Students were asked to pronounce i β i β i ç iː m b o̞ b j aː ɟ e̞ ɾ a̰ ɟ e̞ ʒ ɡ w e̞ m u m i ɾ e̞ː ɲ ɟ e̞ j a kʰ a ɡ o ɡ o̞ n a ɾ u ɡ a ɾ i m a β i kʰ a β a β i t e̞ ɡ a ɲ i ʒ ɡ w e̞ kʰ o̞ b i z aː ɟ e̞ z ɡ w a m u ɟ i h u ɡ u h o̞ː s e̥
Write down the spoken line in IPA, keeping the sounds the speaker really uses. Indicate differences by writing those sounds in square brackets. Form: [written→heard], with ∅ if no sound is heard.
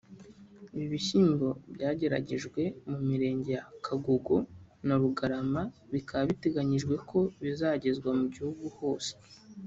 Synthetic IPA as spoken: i β i β i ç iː m b o̞ b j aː ɟ e̞ ɾ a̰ ɟ e̞ ʒ ɡ w e̞ m u m i ɾ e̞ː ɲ ɟ e̞ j a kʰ a ɡ o ɡ o̞ n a ɾ u ɡ a ɾ [i→a] m a β i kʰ a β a β i t e̞ ɡ a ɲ i ʒ ɡ w e̞ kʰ o̞ [b→β] i z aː ɟ e̞ z ɡ w a m u ɟ i h u ɡ u h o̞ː s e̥